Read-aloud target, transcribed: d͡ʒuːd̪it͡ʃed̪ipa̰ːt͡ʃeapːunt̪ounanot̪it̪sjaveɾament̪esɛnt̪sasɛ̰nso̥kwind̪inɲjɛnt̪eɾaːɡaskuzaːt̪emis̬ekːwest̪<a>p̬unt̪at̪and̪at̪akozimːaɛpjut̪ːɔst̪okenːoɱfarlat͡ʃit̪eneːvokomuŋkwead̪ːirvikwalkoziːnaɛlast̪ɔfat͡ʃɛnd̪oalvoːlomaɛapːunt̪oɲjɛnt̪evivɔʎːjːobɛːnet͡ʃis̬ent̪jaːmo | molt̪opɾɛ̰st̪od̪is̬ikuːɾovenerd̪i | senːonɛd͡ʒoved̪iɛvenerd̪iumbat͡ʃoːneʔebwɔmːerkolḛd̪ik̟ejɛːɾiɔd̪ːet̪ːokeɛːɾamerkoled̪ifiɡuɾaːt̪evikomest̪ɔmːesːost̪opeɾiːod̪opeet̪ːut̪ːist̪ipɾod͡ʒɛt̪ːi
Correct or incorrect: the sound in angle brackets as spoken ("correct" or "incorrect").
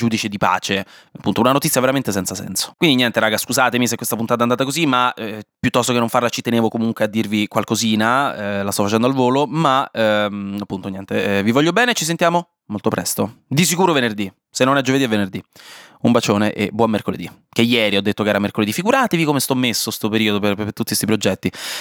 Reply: correct